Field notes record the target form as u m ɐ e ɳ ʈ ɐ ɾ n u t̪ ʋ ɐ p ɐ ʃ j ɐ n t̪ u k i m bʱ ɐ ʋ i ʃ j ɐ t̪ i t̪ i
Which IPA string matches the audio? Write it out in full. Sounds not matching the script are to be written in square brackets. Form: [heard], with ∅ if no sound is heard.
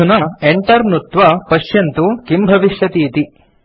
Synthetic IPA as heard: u [n] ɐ e ɳ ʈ ɐ ɾ n u t̪ ʋ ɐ p ɐ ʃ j ɐ n t̪ u k i m bʱ ɐ ʋ i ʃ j ɐ t̪ [iː] t̪ i